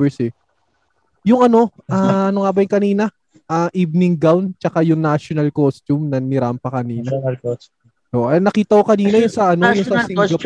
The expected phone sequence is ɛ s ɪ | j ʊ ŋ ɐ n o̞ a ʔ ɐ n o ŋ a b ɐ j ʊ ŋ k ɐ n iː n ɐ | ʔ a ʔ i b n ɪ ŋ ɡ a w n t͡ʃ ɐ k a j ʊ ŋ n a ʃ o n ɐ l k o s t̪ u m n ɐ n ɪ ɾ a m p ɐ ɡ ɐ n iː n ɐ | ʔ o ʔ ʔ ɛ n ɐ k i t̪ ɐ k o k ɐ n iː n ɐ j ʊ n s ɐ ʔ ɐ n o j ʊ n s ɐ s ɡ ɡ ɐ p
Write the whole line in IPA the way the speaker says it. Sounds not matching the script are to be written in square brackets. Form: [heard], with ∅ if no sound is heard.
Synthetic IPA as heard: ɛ s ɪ | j ʊ ŋ ɐ n o̞ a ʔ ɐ n o ŋ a b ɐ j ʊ ŋ k ɐ n iː n ɐ | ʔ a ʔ i b n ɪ ŋ ɡ a w n t͡ʃ ɐ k a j ʊ ŋ n a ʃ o n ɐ l k o s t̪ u m n ɐ n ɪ ɾ a m p ɐ [k] ɐ n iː n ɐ | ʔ o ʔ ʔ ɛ n ɐ k [iː] t̪ ɐ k o k ɐ n iː n ɐ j ʊ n s ɐ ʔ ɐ n o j ʊ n s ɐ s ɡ ɡ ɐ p